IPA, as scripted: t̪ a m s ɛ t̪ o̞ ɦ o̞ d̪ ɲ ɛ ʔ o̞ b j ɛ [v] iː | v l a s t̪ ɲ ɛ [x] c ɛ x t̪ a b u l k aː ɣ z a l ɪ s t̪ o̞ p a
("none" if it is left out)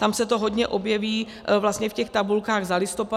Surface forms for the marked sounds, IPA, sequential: v, f

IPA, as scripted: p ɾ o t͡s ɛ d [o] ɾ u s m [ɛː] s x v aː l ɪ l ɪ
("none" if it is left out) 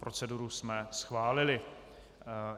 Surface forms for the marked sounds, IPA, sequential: u, ɛ

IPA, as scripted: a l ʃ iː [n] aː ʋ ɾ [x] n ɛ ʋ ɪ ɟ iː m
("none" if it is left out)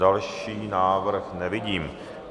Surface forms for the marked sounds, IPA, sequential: n, x

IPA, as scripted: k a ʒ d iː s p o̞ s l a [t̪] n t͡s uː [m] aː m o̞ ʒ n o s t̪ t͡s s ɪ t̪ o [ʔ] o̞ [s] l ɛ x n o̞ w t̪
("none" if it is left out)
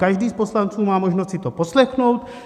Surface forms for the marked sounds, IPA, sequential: none, m, p, s

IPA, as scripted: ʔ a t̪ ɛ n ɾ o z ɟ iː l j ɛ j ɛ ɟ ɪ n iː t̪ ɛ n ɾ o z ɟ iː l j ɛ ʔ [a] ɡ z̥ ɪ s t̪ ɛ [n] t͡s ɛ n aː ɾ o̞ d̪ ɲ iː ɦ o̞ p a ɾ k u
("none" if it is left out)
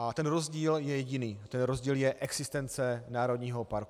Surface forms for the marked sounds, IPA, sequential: ɛ, n

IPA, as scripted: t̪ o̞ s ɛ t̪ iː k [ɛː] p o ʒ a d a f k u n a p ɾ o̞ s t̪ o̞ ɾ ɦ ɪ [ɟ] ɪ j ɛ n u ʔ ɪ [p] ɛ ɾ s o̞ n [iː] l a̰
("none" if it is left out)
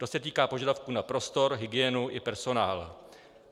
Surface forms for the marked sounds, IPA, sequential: aː, ɡ, p, aː

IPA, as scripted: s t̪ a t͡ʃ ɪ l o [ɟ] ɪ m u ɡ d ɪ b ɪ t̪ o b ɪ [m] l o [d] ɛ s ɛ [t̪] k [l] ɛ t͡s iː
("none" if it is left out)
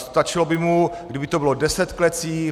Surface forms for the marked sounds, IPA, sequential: b, none, d, t̪, l

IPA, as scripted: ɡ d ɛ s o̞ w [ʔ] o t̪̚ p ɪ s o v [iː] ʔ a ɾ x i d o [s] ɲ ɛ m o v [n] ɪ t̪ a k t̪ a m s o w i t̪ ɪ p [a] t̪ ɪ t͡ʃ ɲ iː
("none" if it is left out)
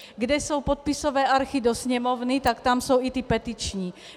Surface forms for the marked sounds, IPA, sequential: p, ɛː, s, n, ɛ

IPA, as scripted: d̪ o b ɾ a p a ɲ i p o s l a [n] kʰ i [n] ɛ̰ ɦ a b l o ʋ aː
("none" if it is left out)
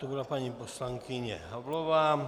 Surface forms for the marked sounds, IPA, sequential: ŋ, ɲ

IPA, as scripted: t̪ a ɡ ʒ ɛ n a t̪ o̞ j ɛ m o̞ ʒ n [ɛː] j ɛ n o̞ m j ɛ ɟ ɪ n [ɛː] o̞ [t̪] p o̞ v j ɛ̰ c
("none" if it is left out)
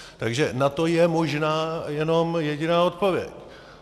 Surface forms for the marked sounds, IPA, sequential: aː, aː, t̪

